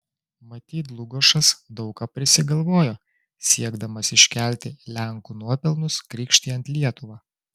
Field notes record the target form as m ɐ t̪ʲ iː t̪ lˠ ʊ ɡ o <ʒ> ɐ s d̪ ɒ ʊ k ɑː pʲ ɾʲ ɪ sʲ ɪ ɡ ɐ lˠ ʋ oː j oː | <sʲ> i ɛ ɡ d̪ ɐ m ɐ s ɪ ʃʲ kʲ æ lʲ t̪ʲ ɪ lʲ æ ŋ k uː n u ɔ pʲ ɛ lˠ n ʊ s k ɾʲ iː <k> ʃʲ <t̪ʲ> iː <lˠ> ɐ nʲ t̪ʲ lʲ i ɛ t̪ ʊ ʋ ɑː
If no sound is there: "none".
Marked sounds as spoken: ʃ, sʲ, k, t̪ʲ, none

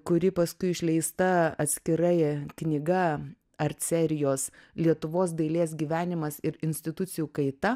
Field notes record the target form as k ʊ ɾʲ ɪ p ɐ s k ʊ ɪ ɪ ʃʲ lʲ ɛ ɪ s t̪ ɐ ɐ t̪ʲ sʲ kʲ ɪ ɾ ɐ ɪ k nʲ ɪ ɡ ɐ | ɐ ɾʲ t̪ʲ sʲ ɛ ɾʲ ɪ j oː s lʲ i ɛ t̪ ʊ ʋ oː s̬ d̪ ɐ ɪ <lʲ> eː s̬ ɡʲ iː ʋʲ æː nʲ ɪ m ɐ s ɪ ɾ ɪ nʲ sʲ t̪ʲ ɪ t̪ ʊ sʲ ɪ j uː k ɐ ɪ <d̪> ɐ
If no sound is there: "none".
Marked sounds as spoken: lʲ, t̪

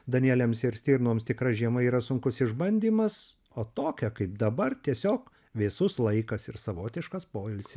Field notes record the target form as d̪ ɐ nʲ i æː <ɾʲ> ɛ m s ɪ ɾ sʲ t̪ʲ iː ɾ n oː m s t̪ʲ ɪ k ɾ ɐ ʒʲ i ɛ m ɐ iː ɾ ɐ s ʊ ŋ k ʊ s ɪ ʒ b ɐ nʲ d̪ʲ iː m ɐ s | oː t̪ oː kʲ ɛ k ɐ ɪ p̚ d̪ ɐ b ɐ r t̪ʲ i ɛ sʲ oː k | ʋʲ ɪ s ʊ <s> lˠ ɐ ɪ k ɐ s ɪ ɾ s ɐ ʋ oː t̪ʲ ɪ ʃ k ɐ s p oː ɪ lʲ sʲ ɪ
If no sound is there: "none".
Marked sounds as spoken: lʲ, s

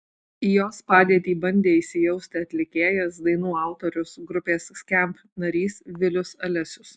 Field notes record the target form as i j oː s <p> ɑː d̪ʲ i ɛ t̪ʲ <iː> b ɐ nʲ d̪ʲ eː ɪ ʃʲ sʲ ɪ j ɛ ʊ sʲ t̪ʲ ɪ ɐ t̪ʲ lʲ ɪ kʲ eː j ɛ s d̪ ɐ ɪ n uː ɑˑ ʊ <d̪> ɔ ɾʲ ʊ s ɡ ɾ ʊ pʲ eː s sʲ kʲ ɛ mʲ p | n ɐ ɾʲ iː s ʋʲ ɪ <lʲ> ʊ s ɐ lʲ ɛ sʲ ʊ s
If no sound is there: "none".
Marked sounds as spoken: p, iː, t̪, lʲ

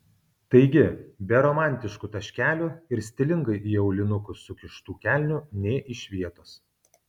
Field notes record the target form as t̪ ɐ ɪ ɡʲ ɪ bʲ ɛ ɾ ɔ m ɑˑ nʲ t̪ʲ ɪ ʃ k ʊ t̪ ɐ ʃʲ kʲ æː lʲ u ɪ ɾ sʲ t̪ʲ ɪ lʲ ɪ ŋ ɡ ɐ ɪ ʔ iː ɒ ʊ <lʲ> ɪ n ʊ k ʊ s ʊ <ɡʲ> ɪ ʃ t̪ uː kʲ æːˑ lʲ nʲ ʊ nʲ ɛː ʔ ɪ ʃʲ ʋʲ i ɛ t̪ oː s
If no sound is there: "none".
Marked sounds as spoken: lʲ, kʲ

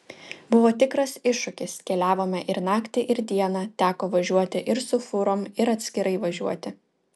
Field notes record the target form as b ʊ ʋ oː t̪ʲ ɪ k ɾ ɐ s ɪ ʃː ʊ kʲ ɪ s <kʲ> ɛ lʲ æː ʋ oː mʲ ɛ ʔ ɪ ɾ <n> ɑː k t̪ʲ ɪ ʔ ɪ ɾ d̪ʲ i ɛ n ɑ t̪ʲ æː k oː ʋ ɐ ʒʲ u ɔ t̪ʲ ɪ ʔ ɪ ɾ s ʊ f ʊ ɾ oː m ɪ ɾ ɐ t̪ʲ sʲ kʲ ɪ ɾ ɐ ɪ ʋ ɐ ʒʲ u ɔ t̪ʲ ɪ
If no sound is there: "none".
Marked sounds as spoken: kʲ, n

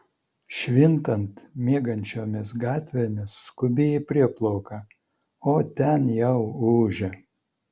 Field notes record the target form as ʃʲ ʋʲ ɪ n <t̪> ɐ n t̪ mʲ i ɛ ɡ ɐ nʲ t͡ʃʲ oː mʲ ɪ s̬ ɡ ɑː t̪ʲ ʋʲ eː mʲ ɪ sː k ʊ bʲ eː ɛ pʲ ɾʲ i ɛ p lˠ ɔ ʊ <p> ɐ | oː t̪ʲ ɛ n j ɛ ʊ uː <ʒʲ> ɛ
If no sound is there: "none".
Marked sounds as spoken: t̪, k, ʒʲ

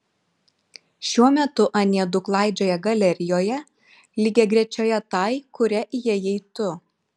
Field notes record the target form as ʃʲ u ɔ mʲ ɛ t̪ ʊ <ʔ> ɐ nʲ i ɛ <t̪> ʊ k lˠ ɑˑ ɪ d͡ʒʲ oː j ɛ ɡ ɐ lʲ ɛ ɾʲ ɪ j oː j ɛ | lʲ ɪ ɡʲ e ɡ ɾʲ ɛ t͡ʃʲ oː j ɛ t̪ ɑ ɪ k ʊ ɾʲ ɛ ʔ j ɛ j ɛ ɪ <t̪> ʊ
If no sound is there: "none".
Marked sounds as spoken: ʔ, d̪, t̪

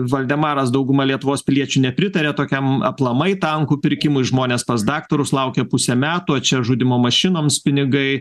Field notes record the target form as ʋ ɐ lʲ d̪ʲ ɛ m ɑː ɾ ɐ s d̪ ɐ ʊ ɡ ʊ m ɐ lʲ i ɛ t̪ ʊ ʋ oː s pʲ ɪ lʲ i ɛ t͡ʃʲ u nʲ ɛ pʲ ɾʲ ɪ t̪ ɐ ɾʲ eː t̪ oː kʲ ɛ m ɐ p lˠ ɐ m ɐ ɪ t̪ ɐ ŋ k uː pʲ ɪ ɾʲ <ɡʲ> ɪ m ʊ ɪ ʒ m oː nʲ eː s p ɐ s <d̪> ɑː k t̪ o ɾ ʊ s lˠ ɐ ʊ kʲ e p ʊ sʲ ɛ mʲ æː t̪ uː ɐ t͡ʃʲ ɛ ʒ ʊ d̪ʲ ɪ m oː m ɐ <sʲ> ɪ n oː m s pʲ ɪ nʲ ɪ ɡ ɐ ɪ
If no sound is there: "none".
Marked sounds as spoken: kʲ, d̪, ʃʲ

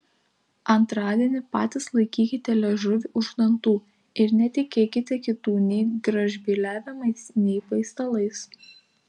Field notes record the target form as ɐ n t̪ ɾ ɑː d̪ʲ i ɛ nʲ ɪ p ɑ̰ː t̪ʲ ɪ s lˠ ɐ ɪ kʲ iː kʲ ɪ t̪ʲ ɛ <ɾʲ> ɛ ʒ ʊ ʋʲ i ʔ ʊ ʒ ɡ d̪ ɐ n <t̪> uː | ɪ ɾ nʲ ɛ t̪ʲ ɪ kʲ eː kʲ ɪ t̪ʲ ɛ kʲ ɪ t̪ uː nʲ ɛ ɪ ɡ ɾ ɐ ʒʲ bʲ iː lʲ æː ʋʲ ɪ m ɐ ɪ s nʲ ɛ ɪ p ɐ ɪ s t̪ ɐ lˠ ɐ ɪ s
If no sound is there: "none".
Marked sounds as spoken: lʲ, t̪

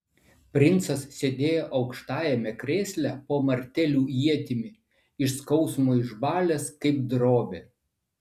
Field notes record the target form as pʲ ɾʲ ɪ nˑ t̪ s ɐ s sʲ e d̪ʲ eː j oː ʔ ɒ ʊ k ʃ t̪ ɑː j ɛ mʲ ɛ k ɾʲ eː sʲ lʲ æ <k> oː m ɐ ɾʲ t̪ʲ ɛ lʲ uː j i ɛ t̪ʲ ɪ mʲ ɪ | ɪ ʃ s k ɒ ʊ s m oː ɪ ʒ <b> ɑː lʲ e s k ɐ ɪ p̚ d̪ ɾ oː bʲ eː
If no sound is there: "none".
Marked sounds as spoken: p, b

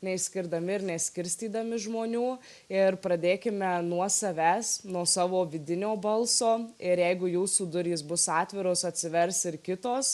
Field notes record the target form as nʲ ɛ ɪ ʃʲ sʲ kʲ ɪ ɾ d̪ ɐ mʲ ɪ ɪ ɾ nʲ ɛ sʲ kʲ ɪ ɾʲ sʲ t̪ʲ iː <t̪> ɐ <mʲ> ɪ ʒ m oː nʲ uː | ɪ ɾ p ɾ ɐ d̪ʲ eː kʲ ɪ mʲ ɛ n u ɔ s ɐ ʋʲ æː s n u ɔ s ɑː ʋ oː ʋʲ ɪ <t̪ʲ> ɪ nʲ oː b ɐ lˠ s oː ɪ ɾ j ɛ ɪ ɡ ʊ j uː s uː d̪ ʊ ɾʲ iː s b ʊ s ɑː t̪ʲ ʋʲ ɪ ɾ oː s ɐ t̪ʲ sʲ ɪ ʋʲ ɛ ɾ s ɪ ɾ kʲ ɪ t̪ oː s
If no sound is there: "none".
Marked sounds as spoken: d̪, mʲ, d̪ʲ

